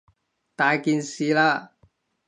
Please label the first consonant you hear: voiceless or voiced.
voiceless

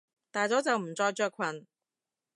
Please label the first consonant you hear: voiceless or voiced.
voiceless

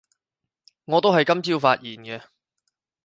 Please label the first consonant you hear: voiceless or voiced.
voiced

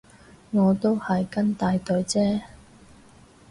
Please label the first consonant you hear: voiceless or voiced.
voiced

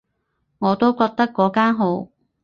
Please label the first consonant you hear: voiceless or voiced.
voiced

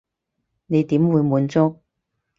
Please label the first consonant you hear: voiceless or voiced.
voiced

